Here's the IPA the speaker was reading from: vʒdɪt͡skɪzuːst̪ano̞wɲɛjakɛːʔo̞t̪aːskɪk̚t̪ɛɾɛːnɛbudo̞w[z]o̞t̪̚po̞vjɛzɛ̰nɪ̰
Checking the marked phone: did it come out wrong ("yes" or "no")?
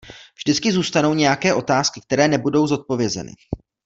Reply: no